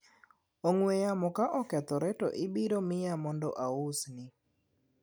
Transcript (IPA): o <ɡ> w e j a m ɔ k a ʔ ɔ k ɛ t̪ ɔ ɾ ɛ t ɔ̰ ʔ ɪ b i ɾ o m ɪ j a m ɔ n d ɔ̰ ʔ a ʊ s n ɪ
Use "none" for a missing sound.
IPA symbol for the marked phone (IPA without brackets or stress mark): ŋ